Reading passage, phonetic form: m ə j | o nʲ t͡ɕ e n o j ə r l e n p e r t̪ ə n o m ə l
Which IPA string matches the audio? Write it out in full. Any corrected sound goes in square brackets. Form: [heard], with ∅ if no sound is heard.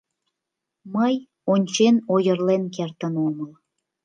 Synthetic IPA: m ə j | o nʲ t͡ɕ e n o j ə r l e n [k] e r t̪ ə n o m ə l